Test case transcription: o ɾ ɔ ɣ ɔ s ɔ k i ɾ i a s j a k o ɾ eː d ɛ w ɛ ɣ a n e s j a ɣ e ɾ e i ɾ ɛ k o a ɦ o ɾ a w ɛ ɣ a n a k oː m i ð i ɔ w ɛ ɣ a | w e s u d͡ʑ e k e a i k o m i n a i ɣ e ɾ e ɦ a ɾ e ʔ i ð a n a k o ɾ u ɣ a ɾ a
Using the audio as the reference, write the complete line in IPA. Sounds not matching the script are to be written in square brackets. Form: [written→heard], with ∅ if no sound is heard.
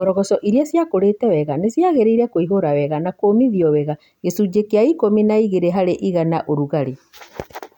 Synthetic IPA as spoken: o ɾ ɔ ɣ ɔ s ɔ [k→ʔ] i ɾ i a s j a k o ɾ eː [d→t] ɛ w ɛ ɣ a n e s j a ɣ e ɾ e i ɾ ɛ k o [a→i] ɦ o ɾ a w ɛ ɣ a n a k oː m i ð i ɔ w ɛ ɣ a | [w→ɣ] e s u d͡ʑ e k e a i k o m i n a i ɣ e ɾ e ɦ a ɾ e ʔ i [ð→ɣ] a n a [k→ʔ] o ɾ u ɣ a ɾ [a→e]